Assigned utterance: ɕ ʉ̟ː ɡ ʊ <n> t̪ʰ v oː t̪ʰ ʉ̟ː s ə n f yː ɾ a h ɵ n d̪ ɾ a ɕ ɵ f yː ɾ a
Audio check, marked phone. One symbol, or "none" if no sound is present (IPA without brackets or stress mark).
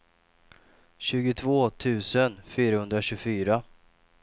none